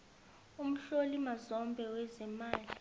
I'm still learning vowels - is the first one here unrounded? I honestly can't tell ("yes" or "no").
no